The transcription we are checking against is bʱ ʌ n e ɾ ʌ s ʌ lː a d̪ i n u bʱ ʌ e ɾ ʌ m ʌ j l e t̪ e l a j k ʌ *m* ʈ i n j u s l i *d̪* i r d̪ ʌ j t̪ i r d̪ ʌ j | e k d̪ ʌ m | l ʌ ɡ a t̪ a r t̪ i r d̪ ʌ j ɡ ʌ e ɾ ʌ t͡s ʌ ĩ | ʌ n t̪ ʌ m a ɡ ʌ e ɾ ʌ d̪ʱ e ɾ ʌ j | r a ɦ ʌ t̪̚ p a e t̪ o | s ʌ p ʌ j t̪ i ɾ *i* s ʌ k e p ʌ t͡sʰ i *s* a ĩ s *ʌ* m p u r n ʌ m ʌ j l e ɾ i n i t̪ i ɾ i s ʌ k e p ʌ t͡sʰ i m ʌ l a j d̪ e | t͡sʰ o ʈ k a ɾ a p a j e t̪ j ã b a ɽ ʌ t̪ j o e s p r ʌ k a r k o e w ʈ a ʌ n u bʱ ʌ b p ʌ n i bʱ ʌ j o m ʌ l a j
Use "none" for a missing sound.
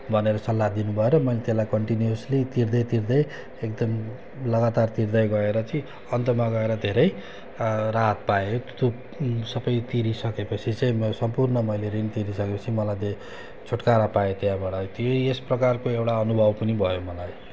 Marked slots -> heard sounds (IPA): ɳ, t̪, i, t͡s, ʌ

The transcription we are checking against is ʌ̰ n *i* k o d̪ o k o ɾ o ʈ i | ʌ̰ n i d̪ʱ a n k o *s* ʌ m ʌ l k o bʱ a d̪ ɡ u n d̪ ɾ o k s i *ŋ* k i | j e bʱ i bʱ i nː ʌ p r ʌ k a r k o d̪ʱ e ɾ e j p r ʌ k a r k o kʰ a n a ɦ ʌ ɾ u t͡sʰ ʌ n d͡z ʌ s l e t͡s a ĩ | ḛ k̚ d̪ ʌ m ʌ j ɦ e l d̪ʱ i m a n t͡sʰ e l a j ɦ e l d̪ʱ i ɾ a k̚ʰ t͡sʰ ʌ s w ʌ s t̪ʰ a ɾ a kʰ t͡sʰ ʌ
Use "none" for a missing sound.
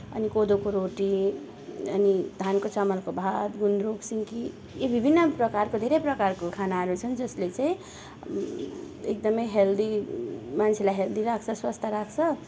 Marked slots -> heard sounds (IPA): i, t͡s, ŋ

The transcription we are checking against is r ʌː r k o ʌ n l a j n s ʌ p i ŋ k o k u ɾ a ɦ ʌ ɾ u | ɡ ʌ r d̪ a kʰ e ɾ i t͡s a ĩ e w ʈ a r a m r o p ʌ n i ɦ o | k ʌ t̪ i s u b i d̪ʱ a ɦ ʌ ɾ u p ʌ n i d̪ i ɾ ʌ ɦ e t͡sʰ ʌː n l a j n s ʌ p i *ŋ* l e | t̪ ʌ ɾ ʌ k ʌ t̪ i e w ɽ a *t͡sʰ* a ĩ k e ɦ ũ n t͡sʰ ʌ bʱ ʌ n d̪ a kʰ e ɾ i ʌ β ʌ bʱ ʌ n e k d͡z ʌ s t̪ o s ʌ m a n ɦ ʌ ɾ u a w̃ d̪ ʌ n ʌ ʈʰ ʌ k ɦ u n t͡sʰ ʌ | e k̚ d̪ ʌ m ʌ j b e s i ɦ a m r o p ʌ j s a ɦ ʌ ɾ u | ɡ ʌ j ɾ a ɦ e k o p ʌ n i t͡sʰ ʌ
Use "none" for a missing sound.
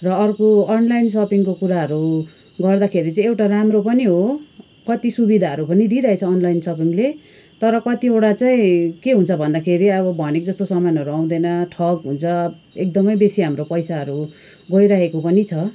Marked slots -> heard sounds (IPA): ŋ, t͡s

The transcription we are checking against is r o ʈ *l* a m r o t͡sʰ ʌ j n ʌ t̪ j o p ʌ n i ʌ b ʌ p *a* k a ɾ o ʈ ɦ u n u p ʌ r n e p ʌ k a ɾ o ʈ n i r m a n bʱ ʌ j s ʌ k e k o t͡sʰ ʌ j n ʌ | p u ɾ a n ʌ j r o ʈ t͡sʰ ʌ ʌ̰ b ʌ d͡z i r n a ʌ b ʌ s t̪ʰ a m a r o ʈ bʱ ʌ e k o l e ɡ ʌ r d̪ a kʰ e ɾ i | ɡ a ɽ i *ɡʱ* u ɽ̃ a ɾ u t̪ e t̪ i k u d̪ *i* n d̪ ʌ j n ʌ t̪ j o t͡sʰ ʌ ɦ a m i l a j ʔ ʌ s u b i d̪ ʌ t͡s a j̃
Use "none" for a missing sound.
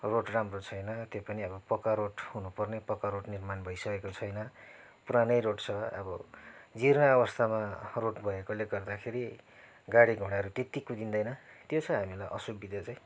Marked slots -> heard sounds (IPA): r, ʌ, ɡʱ, i

